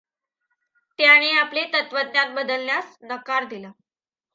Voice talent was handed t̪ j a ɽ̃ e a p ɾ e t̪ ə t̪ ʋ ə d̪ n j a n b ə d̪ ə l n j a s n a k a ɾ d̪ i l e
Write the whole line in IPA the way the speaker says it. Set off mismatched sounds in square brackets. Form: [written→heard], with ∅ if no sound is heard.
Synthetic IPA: t̪ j a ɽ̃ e a p [ɾ→l] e t̪ ə t̪ ʋ ə d̪ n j a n b ə d̪ ə l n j a s n [a→ə] k a ɾ d̪ i l [e→a]